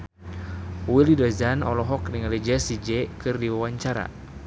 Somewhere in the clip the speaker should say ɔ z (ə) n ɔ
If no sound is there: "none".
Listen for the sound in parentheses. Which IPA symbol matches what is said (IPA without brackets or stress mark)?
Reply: a